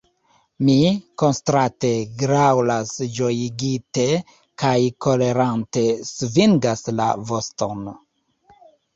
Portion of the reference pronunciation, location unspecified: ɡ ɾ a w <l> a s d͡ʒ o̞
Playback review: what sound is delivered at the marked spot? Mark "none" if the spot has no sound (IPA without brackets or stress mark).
l